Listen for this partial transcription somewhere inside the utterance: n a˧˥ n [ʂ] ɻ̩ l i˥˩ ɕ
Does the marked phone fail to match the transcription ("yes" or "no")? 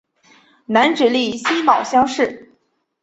yes